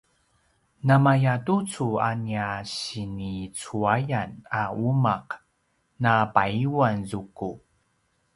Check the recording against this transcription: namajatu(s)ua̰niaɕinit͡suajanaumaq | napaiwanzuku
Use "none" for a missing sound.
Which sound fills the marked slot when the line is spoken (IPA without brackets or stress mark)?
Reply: t͡s